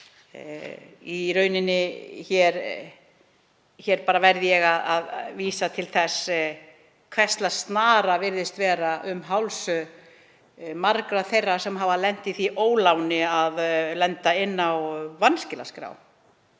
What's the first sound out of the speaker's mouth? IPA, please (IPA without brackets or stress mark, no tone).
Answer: i